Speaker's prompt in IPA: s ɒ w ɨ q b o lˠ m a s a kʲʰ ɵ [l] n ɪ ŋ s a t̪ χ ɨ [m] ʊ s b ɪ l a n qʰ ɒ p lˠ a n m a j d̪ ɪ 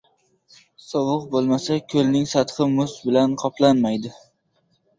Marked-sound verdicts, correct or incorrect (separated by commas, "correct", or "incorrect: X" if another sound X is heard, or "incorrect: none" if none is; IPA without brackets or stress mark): correct, correct